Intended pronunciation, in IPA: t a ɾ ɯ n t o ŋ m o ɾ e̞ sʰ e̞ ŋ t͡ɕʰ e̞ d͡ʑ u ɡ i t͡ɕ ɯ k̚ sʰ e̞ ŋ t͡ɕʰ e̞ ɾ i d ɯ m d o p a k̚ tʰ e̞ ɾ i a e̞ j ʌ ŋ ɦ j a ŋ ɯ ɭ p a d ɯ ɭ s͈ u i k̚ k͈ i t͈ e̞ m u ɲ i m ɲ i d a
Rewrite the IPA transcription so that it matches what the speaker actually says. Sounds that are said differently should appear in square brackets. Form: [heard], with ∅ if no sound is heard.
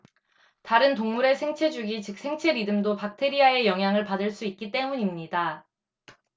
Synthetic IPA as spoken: t a ɾ ɯ n t o ŋ m [u] ɾ e̞ sʰ e̞ ŋ t͡ɕʰ e̞ d͡ʑ u ɡ i t͡ɕ ɯ k̚ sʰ e̞ ŋ t͡ɕʰ e̞ ɾ i d ɯ m d o p a k̚ tʰ e̞ ɾ i a e̞ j ʌ ŋ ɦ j a ŋ ɯ ɭ p a d ɯ ɭ s͈ u i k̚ k͈ i t͈ e̞ m u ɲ i m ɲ i d a